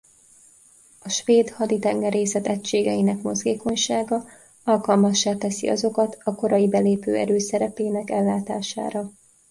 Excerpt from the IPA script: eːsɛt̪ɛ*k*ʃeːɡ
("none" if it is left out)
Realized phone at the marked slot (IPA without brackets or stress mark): c